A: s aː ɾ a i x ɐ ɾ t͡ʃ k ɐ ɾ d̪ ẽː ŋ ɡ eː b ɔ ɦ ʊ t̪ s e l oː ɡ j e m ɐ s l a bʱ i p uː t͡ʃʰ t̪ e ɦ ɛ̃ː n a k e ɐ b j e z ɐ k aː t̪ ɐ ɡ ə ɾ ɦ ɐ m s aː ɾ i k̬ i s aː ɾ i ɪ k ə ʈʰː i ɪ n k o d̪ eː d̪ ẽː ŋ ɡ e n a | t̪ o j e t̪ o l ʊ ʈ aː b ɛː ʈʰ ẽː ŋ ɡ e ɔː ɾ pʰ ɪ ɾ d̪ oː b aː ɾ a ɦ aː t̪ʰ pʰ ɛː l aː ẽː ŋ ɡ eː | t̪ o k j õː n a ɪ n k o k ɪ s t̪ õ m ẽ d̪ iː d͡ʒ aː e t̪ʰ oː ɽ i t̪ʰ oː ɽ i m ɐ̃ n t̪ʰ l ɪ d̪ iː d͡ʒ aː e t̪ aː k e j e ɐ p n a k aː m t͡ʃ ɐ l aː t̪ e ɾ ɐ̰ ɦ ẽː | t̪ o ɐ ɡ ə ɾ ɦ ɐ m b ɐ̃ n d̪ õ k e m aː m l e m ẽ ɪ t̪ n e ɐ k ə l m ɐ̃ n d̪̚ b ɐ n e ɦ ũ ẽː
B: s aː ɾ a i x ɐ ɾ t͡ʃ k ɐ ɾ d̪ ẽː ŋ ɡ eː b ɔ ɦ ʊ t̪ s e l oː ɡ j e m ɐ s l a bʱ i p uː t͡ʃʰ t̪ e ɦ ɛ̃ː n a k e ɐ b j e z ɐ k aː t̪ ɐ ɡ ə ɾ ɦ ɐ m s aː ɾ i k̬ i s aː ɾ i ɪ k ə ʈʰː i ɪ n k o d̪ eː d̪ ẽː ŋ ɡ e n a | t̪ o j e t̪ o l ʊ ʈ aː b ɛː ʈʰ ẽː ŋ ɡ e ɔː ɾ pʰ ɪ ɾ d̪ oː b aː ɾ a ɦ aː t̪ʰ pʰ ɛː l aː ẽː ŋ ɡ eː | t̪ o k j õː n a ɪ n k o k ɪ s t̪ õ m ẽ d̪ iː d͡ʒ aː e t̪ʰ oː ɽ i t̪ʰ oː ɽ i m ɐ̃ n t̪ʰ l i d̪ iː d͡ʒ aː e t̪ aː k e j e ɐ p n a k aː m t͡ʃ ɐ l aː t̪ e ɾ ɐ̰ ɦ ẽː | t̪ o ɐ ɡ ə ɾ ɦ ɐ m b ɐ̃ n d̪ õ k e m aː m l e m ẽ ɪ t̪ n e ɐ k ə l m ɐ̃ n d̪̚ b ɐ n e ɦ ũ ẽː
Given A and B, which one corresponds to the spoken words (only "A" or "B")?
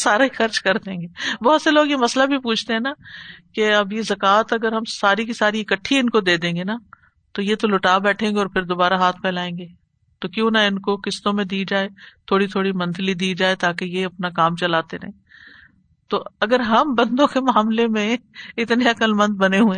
B